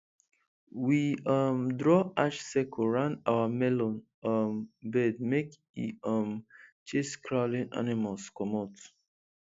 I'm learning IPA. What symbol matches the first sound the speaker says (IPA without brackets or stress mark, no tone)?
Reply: w